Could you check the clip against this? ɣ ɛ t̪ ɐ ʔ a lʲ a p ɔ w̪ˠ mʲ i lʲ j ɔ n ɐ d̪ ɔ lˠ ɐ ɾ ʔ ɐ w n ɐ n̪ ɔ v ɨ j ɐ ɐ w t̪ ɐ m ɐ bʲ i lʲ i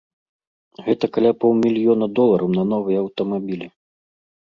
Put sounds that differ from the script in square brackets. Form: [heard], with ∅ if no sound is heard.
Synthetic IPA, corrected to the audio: ɣ ɛ t̪ ɐ [k] a lʲ a p ɔ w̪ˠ mʲ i lʲ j ɔ n ɐ d̪ ɔ lˠ ɐ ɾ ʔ ɐ w n ɐ n̪ ɔ v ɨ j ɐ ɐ w t̪ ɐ m [a] bʲ i lʲ i